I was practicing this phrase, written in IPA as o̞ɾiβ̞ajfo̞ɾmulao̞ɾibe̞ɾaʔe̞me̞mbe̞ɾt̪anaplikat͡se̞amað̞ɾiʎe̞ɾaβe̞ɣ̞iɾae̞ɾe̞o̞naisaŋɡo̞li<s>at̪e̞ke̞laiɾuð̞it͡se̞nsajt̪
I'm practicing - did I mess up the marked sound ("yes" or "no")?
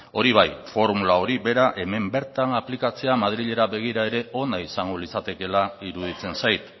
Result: no